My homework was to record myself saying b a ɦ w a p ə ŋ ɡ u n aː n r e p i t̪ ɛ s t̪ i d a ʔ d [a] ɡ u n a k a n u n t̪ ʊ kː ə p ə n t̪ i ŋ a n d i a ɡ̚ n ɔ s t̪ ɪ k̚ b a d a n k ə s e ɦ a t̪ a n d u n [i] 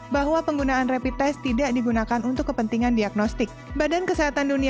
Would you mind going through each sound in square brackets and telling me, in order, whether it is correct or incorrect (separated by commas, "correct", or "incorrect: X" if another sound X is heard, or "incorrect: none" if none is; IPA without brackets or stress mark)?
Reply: incorrect: i, correct